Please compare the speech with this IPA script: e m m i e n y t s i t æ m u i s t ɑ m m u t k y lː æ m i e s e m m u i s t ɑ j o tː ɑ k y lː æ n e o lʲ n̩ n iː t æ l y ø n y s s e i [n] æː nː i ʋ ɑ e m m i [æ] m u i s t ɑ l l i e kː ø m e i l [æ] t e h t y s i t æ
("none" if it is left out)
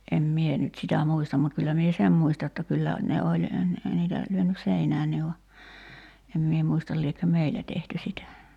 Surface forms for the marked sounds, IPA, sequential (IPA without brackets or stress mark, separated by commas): n, e, æ